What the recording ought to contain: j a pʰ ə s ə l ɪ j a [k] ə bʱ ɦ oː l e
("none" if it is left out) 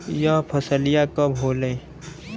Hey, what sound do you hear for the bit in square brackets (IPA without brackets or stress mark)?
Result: k